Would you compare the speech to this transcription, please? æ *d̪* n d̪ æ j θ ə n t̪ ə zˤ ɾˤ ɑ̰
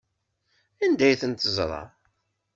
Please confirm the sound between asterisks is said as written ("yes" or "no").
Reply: no